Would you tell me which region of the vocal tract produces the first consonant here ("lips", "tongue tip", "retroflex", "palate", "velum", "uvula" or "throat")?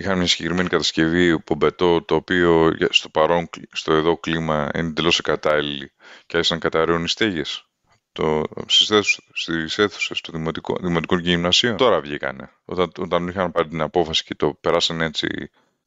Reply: velum